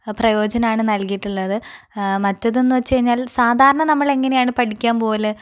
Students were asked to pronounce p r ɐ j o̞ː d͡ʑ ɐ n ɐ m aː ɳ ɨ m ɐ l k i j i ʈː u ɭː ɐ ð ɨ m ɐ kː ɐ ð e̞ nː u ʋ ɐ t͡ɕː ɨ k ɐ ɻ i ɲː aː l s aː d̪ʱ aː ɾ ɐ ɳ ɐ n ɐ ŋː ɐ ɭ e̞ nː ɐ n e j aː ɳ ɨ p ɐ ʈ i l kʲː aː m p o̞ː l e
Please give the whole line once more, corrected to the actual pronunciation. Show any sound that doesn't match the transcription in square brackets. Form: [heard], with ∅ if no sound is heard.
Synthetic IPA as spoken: p r ɐ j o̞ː d͡ʑ ɐ n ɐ m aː ɳ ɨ [n] ɐ l k i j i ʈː u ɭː ɐ ð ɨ m ɐ [tː] ɐ ð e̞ nː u ʋ ɐ t͡ɕː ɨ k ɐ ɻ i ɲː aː l s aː d̪ʱ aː ɾ ɐ ɳ ɐ n ɐ [mː] ɐ ɭ e̞ [ŋː] ɐ n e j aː ɳ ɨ p ɐ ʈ i [∅] kʲː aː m p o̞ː l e